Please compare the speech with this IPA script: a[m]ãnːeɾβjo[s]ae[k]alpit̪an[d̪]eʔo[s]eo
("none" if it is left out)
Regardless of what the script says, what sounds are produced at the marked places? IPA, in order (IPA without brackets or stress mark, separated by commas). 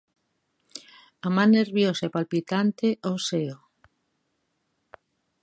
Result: m, s, p, t̪, s